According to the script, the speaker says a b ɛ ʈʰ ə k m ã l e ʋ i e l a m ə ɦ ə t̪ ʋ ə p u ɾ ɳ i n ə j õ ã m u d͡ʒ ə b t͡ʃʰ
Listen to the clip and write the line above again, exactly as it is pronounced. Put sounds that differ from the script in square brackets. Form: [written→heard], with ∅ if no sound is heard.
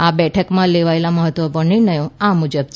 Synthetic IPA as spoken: a b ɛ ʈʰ ə k m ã l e ʋ [i→a] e l a m ə ɦ ə t̪ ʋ ə p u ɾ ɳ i n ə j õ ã m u d͡ʒ ə b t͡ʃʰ